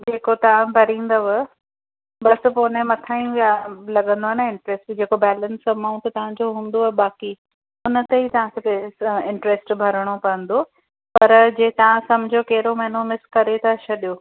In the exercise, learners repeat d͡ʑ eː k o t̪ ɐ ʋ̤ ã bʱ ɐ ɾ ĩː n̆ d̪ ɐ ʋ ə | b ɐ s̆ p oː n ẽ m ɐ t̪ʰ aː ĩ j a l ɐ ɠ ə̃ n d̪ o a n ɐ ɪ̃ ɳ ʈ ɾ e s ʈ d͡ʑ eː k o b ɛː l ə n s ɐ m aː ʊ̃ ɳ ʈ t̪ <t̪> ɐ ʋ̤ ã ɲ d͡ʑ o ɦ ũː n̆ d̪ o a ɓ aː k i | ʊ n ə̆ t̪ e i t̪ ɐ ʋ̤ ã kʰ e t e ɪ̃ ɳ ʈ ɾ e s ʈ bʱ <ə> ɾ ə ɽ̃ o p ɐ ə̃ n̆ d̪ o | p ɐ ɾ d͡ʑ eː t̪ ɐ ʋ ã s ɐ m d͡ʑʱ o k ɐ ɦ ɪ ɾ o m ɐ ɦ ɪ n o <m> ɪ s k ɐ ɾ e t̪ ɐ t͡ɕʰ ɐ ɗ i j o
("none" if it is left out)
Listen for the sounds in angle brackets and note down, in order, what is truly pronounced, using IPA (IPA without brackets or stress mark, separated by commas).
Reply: t̪, ɐ, m